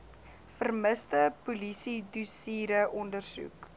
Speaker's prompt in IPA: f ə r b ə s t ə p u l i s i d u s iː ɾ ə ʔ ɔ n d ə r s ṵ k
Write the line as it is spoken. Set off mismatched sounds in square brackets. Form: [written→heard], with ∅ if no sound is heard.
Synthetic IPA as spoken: f ə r [b→m] ə s t ə p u l i s i d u s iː ɾ ə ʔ ɔ n d ə r s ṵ k